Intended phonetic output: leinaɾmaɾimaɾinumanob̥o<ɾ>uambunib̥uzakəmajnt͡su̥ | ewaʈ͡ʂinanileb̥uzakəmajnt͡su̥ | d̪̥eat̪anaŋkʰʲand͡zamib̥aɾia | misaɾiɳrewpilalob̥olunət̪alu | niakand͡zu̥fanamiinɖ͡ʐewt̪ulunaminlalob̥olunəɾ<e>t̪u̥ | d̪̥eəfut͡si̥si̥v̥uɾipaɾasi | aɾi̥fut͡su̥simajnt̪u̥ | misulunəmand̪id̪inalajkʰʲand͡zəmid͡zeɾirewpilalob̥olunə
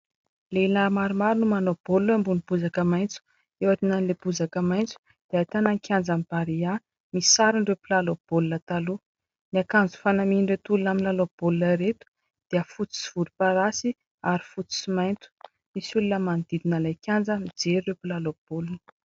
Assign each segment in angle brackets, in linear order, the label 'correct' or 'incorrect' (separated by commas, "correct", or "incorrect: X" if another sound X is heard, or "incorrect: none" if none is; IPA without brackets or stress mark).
incorrect: l, correct